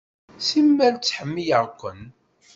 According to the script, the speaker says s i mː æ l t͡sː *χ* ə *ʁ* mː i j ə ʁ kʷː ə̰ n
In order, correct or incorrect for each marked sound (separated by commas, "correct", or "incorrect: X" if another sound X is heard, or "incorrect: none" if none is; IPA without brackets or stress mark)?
incorrect: ħ, incorrect: none